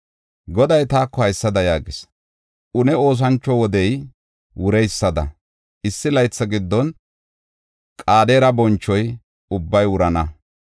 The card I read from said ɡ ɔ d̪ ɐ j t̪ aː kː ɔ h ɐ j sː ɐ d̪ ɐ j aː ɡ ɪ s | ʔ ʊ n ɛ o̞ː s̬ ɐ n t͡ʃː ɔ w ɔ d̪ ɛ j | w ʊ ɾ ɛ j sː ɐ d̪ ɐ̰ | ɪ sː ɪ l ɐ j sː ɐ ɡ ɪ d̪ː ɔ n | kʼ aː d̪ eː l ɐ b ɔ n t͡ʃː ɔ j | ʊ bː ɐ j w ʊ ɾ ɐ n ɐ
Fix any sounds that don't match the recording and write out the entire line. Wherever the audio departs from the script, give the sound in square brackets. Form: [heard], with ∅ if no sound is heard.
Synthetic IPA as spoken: ɡ ɔ d̪ ɐ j t̪ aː kː ɔ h ɐ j sː ɐ d̪ ɐ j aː ɡ ɪ s | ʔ ʊ n ɛ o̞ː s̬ ɐ n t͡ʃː ɔ w ɔ d̪ ɛ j | w ʊ ɾ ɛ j sː ɐ d̪ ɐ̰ | ɪ sː ɪ l ɐ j [t͡sː] ɐ ɡ ɪ d̪ː ɔ n | kʼ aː d̪ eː [ɾ] ɐ b ɔ n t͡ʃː ɔ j | ʊ bː ɐ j w ʊ ɾ ɐ n ɐ